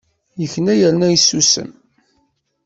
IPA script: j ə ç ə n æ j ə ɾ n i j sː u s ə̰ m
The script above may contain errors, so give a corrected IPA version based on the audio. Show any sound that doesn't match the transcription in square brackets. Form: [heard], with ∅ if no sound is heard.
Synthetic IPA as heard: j ə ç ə n æ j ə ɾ n [æ] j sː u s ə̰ m